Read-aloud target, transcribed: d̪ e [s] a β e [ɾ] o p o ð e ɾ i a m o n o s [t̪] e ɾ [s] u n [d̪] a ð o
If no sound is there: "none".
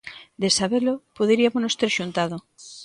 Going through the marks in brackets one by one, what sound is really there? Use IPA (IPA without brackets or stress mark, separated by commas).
s, l, t̪, ʃ, t̪